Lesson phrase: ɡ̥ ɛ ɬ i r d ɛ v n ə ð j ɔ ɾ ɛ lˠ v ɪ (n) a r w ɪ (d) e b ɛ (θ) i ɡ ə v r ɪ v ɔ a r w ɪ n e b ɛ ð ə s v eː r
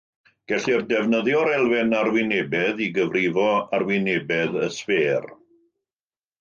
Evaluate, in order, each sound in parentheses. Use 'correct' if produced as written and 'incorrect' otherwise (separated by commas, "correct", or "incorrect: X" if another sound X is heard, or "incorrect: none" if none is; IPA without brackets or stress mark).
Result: correct, incorrect: n, incorrect: ð